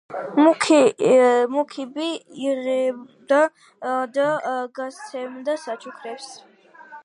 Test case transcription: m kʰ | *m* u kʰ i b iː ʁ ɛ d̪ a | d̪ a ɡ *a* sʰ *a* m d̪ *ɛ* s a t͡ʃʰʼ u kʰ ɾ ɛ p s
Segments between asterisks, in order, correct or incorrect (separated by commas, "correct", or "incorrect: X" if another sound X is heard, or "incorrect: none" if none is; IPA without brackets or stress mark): correct, correct, incorrect: ɛ, incorrect: a